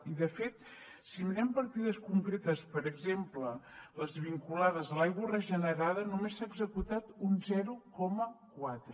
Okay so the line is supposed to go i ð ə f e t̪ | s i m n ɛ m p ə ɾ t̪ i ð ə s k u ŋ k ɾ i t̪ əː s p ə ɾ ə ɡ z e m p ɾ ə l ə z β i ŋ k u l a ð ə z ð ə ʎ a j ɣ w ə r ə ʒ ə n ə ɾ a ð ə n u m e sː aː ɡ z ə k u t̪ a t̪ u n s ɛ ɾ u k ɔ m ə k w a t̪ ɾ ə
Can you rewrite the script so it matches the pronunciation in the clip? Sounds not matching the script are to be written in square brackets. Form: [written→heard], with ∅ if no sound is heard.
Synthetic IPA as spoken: i ð ə f e t̪ | s i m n ɛ m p ə ɾ t̪ i ð ə s k u ŋ k ɾ [i→e] t̪ [əː→ə] s p ə ɾ ə ɡ z e m p [ɾ→l] ə l ə z β i ŋ k u l a ð ə z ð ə [ʎ→l] a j ɣ w ə r ə ʒ ə n ə ɾ a ð ə n u m e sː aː ɡ z ə k u t̪ a t̪ u n [s→z] ɛ ɾ u k ɔ m ə k w a t̪ ɾ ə